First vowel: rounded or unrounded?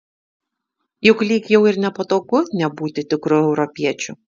rounded